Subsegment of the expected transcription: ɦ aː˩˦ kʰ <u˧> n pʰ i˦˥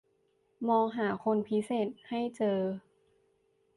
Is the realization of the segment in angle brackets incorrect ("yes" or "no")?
yes